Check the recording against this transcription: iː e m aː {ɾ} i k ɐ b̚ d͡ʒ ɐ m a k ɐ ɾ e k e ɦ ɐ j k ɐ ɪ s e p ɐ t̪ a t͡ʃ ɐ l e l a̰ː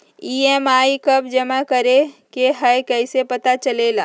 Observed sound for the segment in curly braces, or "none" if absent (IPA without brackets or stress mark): none